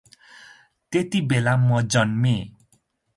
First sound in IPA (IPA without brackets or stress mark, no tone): t̪